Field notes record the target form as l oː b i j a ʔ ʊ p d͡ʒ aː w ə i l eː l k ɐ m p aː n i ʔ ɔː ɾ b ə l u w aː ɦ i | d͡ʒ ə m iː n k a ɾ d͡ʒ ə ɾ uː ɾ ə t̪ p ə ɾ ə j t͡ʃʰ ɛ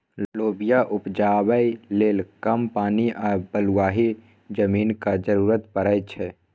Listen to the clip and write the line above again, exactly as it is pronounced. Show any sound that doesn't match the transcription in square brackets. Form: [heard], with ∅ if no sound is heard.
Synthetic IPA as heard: l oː b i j a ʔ ʊ p d͡ʒ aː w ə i l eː l k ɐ m p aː n i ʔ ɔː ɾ b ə l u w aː ɦ i | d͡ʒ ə m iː n k a [∅] d͡ʒ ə ɾ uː ɾ ə t̪ p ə ɾ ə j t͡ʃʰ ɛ